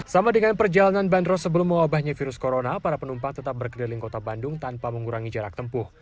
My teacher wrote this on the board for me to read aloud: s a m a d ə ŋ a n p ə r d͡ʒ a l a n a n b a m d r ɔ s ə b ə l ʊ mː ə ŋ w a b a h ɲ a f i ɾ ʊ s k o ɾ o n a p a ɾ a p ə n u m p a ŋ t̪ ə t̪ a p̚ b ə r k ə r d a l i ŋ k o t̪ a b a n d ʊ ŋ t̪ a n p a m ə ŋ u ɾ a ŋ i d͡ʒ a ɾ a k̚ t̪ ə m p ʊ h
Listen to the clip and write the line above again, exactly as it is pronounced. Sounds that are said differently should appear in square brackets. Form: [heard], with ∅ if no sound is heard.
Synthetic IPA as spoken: s a m a d ə ŋ a n p ə r d͡ʒ a l a n a n b a [n] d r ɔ s ə b ə l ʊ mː ə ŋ w a b a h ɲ a f i ɾ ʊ s k o ɾ o n a p a ɾ a p ə n u m p a ŋ t̪ ə t̪ a p̚ b ə r k ə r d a l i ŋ k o t̪ a b a n d ʊ ŋ t̪ a n p a m ə ŋ u ɾ a ŋ i d͡ʒ a ɾ a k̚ t̪ ə m p ʊ h